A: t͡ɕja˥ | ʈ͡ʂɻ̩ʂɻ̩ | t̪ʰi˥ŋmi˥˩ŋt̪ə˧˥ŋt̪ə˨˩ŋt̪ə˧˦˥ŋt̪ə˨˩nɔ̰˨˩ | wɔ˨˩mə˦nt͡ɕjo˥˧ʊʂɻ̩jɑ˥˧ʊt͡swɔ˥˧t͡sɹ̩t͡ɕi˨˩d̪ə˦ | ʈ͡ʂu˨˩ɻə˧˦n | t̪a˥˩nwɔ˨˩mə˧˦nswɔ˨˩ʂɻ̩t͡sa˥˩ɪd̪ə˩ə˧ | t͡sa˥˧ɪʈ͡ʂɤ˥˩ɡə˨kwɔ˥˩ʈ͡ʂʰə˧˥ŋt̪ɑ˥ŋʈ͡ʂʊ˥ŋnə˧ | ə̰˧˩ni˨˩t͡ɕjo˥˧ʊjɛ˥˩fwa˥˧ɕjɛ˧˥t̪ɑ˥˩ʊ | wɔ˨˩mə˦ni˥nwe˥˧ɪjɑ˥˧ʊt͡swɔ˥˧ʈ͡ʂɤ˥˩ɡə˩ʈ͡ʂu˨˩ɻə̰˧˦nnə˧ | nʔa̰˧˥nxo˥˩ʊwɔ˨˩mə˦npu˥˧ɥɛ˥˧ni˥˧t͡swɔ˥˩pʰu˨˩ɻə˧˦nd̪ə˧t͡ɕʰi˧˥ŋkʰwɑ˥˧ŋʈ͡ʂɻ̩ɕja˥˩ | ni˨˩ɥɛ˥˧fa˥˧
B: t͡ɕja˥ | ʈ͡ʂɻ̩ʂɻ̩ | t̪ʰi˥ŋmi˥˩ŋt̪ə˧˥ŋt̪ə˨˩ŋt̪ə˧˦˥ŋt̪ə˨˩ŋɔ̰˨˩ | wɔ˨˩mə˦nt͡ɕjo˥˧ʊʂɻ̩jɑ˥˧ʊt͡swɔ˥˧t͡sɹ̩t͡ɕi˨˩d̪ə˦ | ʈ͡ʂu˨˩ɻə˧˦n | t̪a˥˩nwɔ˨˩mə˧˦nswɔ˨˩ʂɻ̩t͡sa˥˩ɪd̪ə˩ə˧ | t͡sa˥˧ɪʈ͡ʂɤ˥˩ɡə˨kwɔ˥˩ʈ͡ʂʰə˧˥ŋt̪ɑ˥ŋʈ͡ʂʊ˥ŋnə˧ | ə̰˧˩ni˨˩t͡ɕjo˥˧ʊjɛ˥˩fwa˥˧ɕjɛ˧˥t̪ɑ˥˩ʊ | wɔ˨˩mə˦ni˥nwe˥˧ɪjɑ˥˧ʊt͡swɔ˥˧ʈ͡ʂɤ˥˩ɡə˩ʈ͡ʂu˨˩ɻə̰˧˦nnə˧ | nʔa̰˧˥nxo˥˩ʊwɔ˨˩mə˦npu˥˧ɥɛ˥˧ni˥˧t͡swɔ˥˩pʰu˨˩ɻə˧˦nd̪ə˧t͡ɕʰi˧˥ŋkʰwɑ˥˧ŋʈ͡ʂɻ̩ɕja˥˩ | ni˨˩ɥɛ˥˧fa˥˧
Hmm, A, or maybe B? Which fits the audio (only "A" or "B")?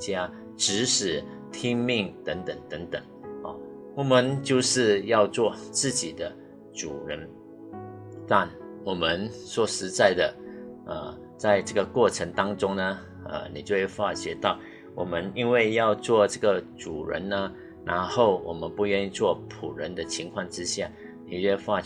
B